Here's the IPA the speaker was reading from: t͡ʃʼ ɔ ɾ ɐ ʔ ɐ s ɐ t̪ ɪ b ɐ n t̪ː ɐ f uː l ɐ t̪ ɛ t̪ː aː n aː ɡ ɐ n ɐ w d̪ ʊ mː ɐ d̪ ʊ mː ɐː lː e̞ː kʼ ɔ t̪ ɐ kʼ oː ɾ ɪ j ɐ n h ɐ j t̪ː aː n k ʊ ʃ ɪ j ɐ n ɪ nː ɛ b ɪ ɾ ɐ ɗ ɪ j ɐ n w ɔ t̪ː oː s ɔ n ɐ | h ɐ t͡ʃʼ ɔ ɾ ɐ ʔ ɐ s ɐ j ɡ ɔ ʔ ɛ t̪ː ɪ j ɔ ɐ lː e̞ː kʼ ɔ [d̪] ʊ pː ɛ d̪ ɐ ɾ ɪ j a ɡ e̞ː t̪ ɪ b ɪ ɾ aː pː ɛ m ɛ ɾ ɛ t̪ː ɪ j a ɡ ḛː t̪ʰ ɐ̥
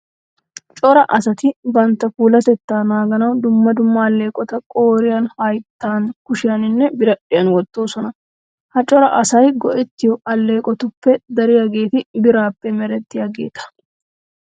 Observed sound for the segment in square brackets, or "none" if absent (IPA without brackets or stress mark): t̪